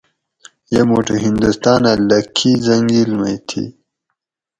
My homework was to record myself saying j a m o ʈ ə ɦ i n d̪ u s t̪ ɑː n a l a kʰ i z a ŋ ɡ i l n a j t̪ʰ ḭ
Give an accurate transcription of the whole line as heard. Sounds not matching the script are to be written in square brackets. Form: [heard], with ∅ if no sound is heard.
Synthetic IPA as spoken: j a m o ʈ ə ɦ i n d̪ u s t̪ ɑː n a l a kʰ i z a ŋ ɡ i l [m] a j t̪ʰ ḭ